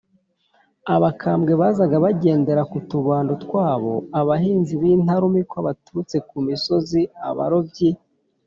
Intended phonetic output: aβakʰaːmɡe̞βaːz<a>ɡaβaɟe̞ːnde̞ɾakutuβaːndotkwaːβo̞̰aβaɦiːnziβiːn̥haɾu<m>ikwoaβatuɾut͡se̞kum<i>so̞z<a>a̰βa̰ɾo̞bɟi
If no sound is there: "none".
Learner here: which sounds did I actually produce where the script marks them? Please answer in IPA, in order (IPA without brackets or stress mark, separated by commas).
a, m, i, i